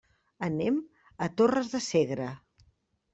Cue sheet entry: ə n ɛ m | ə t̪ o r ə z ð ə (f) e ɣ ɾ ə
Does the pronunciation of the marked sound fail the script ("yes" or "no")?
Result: yes